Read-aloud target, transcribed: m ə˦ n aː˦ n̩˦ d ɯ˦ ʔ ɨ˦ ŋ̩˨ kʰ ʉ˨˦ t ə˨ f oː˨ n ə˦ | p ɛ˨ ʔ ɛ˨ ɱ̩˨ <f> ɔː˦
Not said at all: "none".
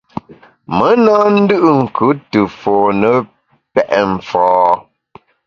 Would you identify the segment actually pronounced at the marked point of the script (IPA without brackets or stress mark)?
f